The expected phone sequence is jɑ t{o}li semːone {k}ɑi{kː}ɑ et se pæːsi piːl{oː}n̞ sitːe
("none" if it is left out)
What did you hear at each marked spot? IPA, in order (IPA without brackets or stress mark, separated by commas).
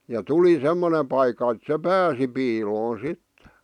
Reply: u, p, kː, oː